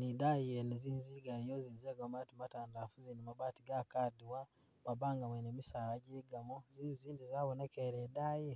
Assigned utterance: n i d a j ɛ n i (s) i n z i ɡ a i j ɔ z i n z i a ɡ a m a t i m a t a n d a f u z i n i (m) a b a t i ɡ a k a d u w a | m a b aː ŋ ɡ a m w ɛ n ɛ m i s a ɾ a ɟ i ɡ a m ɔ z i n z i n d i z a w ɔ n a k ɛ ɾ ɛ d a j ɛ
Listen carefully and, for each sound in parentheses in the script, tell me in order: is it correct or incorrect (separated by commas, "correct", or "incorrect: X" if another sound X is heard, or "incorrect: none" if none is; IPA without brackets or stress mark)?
incorrect: z, correct